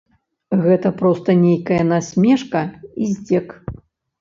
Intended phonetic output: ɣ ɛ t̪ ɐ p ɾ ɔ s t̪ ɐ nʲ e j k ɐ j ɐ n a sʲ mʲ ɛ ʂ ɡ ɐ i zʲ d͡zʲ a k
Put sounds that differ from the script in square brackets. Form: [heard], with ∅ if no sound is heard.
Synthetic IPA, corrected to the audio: ɣ ɛ t̪ ɐ p ɾ ɔ s t̪ ɐ nʲ e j k ɐ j ɐ n a sʲ mʲ ɛ ʂ [k] ɐ i zʲ d͡zʲ [ɛ] k